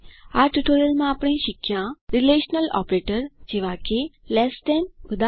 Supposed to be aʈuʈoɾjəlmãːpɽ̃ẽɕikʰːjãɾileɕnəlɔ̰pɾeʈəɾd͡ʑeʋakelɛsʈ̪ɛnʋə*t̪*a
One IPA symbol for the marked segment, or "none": d̪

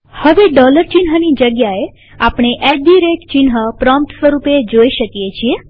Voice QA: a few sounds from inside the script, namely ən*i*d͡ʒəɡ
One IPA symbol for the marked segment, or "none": i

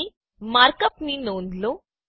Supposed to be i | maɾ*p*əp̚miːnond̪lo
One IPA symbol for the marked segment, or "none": k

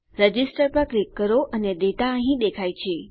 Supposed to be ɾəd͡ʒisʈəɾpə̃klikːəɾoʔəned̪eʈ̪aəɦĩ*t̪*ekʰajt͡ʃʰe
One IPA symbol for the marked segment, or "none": d̪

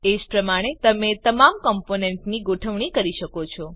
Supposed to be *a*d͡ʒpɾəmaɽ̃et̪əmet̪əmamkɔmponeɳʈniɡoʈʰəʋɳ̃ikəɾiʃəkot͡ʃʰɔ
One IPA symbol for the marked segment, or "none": e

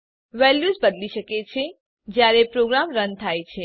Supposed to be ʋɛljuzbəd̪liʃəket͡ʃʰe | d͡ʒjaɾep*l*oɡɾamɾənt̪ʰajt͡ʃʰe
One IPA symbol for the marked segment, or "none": ɾ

